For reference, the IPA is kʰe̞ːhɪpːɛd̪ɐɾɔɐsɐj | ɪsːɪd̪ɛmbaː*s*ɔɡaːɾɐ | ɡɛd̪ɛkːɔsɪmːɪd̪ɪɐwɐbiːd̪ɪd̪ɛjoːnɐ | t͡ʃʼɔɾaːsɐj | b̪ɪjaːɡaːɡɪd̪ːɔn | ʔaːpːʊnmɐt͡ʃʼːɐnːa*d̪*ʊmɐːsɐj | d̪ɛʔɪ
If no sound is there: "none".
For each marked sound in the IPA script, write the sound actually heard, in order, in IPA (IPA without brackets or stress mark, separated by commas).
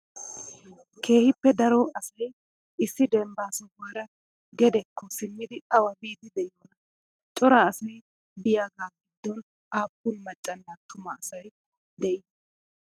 s, t̪